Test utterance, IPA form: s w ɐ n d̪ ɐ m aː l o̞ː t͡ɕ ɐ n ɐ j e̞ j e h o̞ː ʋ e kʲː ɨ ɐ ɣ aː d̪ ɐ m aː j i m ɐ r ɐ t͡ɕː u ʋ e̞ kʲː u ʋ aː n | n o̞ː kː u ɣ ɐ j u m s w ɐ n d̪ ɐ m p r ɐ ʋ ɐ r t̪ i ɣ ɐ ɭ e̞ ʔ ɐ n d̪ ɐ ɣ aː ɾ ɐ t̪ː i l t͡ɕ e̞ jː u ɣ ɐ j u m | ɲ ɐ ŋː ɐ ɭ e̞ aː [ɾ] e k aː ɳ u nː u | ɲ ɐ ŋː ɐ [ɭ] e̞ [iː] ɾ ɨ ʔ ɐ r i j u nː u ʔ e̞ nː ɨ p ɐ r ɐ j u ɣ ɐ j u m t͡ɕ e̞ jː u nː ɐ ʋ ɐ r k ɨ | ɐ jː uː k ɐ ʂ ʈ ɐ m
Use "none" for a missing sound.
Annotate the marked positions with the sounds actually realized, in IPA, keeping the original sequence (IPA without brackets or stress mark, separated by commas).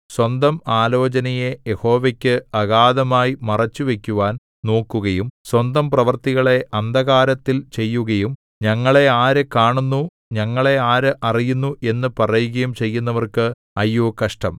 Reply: ɾ, ɭ, aː